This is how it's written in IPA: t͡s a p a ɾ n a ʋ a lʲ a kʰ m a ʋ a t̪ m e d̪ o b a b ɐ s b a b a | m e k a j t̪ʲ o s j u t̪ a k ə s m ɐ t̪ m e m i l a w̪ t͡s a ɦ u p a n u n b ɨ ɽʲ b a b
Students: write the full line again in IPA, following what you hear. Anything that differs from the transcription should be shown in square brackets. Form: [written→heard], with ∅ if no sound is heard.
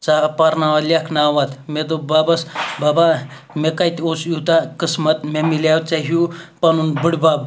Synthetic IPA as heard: t͡s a p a ɾ n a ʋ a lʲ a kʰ [m→n] a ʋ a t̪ m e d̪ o b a b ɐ s b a b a | m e k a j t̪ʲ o s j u t̪ a k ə s m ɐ t̪ m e m i l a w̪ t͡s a ɦ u p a n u n b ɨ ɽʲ b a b

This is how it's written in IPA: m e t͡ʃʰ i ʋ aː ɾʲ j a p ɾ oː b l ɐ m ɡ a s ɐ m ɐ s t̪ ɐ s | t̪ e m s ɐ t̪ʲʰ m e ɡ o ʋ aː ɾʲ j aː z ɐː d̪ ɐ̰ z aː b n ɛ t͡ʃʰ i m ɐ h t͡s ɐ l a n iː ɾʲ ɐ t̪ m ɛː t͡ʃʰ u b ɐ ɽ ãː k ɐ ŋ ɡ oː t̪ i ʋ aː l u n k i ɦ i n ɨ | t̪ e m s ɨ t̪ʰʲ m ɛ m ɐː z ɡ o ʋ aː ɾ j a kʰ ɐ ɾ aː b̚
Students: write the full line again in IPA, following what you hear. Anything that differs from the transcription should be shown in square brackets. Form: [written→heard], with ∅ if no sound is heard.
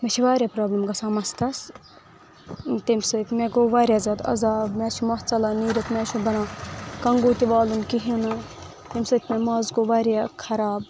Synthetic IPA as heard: m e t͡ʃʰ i ʋ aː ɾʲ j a p ɾ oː b l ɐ m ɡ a s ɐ m ɐ s t̪ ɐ s | t̪ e m s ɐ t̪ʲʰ m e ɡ o ʋ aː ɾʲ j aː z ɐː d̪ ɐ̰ z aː b [n→m] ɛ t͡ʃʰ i m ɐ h t͡s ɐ l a n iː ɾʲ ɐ t̪ m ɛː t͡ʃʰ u b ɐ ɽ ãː k ɐ ŋ ɡ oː t̪ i ʋ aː l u n k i ɦ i n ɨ | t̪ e m s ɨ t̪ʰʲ m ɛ m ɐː z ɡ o ʋ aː ɾ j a kʰ ɐ ɾ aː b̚

